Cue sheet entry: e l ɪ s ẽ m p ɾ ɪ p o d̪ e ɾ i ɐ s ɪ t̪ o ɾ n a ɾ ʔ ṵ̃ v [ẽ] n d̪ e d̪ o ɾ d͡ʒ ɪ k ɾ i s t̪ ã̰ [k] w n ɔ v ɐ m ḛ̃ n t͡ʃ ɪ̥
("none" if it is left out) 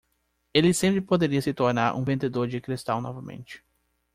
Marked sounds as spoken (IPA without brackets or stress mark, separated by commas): ẽ, none